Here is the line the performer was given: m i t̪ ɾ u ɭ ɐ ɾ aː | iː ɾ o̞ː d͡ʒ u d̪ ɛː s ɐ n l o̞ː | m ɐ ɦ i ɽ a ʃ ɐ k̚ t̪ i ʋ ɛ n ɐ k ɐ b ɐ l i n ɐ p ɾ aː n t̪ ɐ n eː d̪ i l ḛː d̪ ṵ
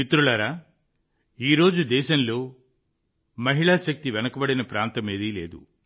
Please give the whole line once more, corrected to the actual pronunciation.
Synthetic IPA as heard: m i t̪ ɾ u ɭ ɐ ɾ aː | iː ɾ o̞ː d͡ʒ u d̪ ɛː ʃ ɐ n l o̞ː | m ɐ ɦ i ɭ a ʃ ɐ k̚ t̪ i ʋ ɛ n ɐ k ɐ b ɐ ɽ i n ɐ p ɾ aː n t̪ ɐ m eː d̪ i l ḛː d̪ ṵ